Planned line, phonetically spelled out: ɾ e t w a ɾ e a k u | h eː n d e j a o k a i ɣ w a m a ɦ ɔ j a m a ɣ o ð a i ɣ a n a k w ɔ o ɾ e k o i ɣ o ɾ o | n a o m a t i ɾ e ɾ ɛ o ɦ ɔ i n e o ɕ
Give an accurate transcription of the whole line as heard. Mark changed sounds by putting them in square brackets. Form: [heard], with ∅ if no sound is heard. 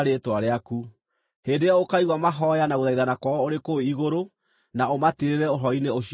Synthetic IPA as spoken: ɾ e t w a ɾ e a k u | h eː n d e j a o k a i ɣ w a m a ɦ ɔ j a [n] a ɣ o ð a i [ð] a n a k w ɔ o ɾ e k o i ɣ o ɾ o | n a o m a t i ɾ e ɾ ɛ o ɦ ɔ i n e o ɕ